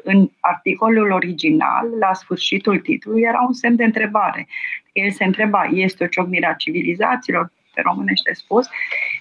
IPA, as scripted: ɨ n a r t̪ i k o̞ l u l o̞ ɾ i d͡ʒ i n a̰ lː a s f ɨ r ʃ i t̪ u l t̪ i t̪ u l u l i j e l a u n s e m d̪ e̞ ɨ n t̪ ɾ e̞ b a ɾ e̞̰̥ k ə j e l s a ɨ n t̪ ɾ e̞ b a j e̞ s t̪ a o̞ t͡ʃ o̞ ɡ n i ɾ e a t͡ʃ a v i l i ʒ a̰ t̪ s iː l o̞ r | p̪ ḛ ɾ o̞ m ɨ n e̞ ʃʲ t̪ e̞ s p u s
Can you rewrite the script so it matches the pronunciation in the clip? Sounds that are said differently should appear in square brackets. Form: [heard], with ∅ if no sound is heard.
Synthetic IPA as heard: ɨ n a r t̪ i k o̞ l u l o̞ ɾ i d͡ʒ i n a̰ lː a s f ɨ r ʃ i t̪ u l t̪ i t̪ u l u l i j e [ɾ] a u n s e m d̪ e̞ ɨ n t̪ ɾ e̞ b a ɾ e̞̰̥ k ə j e l s [e] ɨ n t̪ ɾ e̞ b a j e̞ s t̪ [e] o̞ t͡ʃ o̞ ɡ n i ɾ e a t͡ʃ [i] v i l i [z] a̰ t̪ s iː l o̞ r | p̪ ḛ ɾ o̞ m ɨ n e̞ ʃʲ t̪ e̞ s p u s